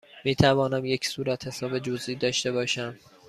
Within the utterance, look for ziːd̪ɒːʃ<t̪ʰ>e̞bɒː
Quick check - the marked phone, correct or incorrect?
incorrect: t̪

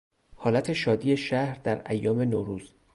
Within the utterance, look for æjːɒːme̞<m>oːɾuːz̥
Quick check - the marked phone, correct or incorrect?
incorrect: n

